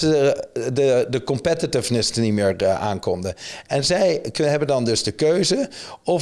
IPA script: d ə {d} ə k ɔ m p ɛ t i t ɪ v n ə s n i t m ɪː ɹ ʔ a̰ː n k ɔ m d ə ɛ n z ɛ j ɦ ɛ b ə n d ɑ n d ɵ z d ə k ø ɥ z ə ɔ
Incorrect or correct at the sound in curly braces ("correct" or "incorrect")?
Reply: correct